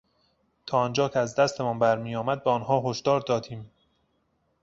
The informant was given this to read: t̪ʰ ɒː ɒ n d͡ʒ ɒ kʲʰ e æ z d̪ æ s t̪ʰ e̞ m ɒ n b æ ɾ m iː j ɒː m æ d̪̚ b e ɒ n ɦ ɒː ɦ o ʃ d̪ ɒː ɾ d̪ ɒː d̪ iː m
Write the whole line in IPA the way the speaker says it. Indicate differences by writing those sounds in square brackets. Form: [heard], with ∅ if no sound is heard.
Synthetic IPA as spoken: t̪ʰ ɒː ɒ n d͡ʒ [ɒː] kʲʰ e æ z d̪ æ s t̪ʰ e̞ m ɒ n b æ ɾ m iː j ɒː m æ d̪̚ b e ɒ n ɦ ɒː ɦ o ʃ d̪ ɒː ɾ d̪ ɒː d̪ iː m